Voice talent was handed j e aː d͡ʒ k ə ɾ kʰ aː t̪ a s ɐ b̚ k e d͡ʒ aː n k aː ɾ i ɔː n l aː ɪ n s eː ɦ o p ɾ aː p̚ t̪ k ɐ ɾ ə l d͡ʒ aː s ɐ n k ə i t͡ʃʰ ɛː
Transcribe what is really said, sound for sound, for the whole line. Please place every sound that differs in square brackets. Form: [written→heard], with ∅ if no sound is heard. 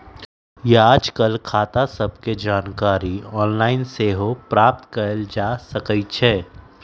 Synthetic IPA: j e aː d͡ʒ k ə [ɾ→l] kʰ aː t̪ a s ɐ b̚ k e d͡ʒ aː n k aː ɾ i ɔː n l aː ɪ n s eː ɦ o p ɾ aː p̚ t̪ k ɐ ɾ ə l d͡ʒ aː s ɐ [n→∅] k ə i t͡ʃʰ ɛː